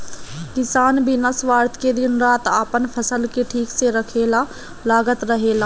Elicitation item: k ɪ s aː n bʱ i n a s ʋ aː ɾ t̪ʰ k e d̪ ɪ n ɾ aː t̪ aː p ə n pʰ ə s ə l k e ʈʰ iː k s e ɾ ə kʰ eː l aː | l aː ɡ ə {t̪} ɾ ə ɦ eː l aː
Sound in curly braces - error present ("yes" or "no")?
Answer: no